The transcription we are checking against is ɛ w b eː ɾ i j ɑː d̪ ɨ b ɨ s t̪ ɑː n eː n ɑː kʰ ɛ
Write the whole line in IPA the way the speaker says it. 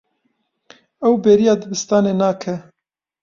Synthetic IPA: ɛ w b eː ɾ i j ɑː d̪ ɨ b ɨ s t̪ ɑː n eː n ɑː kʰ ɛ